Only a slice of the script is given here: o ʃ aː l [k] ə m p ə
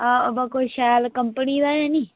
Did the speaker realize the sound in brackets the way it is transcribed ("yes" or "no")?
yes